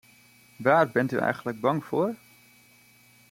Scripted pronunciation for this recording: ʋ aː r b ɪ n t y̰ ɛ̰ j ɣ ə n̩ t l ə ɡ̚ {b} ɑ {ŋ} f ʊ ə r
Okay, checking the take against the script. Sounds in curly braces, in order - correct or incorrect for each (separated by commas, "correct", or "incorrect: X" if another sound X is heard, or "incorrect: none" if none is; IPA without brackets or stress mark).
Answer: correct, correct